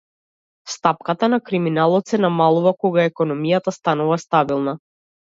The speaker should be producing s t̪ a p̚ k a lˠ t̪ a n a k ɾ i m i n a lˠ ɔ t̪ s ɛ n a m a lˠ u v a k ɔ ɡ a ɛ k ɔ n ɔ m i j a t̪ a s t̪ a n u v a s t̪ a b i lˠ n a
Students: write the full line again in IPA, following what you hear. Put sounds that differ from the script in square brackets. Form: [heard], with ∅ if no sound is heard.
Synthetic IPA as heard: s t̪ a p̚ k a [∅] t̪ a n a k ɾ i m i n a lˠ ɔ t̪ s ɛ n a m a lˠ u v a k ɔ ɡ a ɛ k ɔ n ɔ m i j a t̪ a s t̪ a n u v a s t̪ a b i lˠ n a